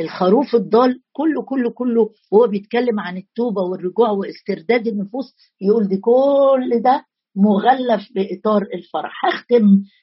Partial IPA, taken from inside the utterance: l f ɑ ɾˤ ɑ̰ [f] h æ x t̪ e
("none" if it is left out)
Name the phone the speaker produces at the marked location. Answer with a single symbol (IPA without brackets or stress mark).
ħ